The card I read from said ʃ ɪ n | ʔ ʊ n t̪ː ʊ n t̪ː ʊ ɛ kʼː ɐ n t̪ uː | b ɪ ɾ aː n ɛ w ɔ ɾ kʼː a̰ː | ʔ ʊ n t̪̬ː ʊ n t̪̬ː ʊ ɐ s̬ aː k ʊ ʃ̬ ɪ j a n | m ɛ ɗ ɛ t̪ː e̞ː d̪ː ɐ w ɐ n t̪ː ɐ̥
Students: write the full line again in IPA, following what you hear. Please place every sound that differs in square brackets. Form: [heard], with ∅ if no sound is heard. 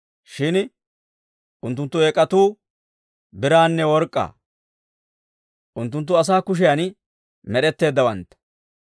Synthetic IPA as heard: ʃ ɪ n | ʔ ʊ n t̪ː ʊ n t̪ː ʊ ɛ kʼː ɐ [∅] t̪ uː | b ɪ ɾ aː [nː] ɛ w ɔ ɾ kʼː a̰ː | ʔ ʊ n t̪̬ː ʊ n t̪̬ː ʊ ɐ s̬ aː k ʊ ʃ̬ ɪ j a n | m ɛ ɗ ɛ t̪ː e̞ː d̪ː ɐ w ɐ n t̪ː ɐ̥

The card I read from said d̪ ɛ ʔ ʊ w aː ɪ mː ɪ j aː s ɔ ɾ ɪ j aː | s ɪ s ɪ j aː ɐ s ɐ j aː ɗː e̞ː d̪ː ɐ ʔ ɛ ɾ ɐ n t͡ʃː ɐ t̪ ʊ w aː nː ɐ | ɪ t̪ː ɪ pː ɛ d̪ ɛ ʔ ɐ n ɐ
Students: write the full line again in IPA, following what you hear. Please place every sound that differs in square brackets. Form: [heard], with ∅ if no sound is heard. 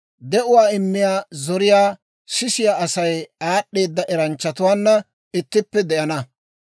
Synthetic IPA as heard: d̪ ɛ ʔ ʊ w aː ɪ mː ɪ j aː [z] ɔ ɾ ɪ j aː | s ɪ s ɪ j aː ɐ s ɐ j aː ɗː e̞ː d̪ː ɐ ʔ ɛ ɾ ɐ n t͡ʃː ɐ t̪ ʊ w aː nː ɐ | ɪ t̪ː ɪ pː ɛ d̪ ɛ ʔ ɐ n ɐ

